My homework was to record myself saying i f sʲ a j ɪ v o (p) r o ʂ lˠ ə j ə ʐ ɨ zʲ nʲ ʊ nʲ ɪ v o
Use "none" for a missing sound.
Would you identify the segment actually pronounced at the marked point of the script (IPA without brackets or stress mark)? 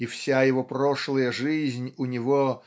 p